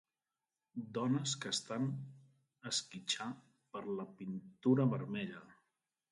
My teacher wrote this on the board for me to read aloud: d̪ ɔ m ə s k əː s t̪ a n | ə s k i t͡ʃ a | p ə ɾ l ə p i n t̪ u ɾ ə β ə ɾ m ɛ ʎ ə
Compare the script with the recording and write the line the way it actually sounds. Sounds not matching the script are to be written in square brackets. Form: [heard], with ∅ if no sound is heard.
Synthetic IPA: d̪ ɔ [n] ə s k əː s t̪ a n | ə s k i t͡ʃ a | p ə ɾ l ə p i n t̪ u ɾ ə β ə ɾ m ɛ ʎ ə